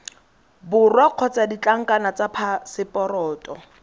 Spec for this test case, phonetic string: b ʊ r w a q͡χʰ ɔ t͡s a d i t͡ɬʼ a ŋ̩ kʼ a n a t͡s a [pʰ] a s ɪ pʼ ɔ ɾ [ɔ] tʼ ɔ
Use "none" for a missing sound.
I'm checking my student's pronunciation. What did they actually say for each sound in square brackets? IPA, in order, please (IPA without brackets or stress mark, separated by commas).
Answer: pʰ, ɔː